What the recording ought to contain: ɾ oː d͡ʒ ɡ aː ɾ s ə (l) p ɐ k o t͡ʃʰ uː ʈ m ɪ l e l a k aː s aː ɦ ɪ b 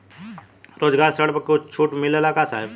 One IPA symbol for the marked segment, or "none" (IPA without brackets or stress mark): ɽ